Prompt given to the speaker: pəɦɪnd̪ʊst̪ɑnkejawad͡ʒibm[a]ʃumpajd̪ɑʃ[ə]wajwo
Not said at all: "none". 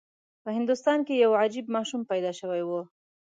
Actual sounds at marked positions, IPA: ɑ, ə

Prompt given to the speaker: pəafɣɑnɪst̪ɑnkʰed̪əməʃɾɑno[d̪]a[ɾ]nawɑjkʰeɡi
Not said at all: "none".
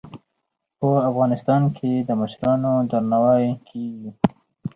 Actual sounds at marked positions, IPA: d̪, ɾ

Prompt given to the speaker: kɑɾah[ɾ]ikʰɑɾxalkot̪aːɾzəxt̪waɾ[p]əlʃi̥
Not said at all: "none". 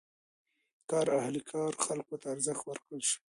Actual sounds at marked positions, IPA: l, k

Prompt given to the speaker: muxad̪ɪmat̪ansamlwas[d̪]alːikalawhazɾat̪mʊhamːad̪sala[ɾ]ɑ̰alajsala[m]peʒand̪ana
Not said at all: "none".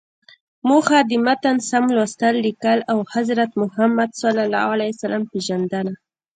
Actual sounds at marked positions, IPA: t̪, l, m

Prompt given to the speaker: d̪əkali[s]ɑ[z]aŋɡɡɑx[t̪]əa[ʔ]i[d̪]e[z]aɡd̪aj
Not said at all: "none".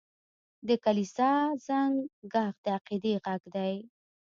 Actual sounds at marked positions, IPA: s, z, d̪, q, d̪, ɣ

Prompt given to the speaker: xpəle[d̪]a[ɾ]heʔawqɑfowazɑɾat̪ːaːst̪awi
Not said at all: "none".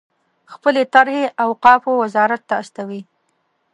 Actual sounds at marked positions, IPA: t̪, ɾ

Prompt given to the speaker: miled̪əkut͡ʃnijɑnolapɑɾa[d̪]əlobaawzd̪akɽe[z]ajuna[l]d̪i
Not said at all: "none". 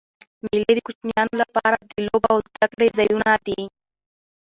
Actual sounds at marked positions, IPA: d̪, z, none

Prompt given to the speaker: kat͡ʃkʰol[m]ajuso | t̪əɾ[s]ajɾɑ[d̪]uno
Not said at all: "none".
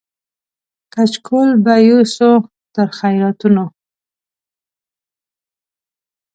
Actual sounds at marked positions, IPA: b, x, t̪

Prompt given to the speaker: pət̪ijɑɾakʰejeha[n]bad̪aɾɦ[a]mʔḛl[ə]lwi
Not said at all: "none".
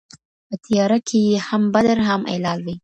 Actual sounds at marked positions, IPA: m, a, ɑ

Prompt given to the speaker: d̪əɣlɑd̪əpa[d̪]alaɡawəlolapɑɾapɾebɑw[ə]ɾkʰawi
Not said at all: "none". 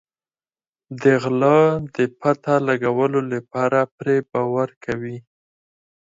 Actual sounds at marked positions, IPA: t̪, a

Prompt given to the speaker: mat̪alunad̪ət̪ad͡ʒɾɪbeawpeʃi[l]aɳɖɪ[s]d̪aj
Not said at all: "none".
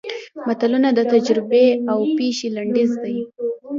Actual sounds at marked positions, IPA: l, z

